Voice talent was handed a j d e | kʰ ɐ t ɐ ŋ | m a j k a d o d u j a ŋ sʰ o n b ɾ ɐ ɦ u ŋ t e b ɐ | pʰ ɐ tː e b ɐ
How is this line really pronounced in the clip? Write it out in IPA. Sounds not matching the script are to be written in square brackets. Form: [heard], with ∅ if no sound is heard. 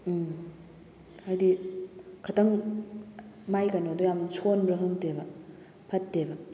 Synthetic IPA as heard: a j d [i] | kʰ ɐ t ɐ ŋ | m a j k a [n] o d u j a [m] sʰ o n b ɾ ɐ ɦ [ɯ] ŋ t e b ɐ | pʰ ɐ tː e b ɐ